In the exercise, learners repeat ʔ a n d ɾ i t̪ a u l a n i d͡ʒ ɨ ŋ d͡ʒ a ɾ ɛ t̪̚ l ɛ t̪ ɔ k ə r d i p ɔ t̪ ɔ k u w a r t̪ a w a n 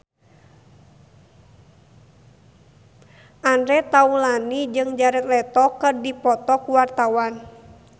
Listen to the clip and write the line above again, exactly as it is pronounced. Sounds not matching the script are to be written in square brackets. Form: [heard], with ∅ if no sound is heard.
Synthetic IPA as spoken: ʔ a n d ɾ [ɛ] t̪ a u l a n i d͡ʒ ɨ ŋ d͡ʒ a ɾ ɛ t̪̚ l ɛ t̪ ɔ k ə r d i p ɔ t̪ ɔ k u w a r t̪ a w a n